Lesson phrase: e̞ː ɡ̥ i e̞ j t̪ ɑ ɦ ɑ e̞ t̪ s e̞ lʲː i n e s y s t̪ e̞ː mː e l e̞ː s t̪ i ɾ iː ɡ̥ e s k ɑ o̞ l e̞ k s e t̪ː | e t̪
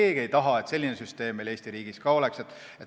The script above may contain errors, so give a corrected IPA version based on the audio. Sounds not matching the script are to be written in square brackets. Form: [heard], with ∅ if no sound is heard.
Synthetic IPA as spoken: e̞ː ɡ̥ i e̞ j t̪ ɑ ɦ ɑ e̞ t̪ s e̞ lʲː i n e s y s t̪ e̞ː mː e l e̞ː s t̪ i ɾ iː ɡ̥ [i] s k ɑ o̞ l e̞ k s e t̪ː | e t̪